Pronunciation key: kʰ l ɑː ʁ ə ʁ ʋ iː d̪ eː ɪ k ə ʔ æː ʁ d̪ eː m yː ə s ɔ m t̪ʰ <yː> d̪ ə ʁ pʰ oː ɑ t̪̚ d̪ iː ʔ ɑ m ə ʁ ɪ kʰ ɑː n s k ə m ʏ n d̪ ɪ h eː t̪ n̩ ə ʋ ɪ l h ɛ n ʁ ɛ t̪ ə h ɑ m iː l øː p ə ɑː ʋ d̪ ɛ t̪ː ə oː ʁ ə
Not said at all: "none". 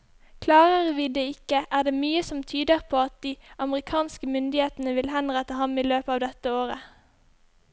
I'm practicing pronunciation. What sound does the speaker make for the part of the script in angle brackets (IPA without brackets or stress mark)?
yː